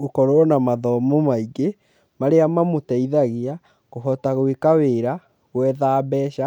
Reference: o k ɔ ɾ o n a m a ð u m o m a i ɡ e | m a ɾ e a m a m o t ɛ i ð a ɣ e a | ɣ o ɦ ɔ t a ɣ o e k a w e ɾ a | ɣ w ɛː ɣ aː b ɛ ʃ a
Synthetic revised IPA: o k ɔ ɾ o n a m a ð ɔ m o m a i ɡ e | m a ɾ e a m a m o t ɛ i ð a ɣ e a | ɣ o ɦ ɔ t a ɣ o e k a w e ɾ a | ɣ w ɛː ð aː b ɛ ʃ a